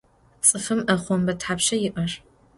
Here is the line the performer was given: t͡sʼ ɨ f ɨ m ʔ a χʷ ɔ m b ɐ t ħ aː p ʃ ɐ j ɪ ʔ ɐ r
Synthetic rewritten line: t͡sʼ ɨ f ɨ m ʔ ɐ χʷ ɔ m b ɐ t ħ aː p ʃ ɐ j ɪ ʔ ɐ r